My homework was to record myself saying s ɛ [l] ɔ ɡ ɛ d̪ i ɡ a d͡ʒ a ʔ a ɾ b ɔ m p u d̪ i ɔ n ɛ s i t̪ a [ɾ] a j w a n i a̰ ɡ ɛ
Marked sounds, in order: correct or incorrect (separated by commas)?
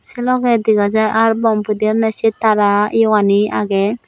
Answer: correct, correct